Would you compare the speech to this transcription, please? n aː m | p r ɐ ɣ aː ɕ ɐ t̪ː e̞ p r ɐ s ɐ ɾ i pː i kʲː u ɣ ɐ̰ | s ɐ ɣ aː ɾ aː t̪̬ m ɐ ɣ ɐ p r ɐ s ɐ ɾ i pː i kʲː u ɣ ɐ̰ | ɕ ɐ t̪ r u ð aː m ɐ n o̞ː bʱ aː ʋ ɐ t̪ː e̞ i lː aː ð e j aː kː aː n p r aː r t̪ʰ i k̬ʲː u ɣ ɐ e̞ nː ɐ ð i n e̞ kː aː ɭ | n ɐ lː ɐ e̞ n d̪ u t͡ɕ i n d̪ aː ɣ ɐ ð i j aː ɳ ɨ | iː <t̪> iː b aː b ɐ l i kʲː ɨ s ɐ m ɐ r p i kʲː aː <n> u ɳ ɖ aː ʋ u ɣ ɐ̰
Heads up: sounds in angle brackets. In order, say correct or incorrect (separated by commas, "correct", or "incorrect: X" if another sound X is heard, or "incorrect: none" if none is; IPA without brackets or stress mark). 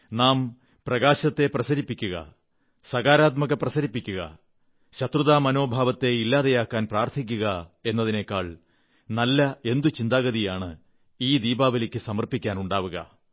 incorrect: d̪, correct